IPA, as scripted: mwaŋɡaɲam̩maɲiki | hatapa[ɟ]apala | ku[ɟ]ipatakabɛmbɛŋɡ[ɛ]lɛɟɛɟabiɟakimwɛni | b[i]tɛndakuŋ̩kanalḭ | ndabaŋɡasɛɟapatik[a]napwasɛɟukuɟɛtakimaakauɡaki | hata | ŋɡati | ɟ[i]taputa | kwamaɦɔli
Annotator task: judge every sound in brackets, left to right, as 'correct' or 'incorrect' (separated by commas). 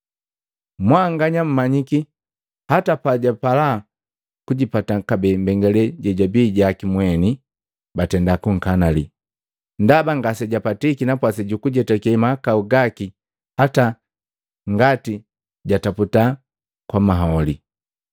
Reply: correct, correct, correct, incorrect, incorrect, incorrect